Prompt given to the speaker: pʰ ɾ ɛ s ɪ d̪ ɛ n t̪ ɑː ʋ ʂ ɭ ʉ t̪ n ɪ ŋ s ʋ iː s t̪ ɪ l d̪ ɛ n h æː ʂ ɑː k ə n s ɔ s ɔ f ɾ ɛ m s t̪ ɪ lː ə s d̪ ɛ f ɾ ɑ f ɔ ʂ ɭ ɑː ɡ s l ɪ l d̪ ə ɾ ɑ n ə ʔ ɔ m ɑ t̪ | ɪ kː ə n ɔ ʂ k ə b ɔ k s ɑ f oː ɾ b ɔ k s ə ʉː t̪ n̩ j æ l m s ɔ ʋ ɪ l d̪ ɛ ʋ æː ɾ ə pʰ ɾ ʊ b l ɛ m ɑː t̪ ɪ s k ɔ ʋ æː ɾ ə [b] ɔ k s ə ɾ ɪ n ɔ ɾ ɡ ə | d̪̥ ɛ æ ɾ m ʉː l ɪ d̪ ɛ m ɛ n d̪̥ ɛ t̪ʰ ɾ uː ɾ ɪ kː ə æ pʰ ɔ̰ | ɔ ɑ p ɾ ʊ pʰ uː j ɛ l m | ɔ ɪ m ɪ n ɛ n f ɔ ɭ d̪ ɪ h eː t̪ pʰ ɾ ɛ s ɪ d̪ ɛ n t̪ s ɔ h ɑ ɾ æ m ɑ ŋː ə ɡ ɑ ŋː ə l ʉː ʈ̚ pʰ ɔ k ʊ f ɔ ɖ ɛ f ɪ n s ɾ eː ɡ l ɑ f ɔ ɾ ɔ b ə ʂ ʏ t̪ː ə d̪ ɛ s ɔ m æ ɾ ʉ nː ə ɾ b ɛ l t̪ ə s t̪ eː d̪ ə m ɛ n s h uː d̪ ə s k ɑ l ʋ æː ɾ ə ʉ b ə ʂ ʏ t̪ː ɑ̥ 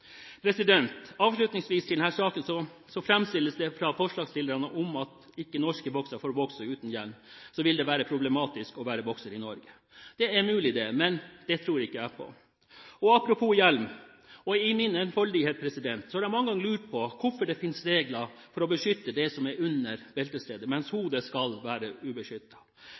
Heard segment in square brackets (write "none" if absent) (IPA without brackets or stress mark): b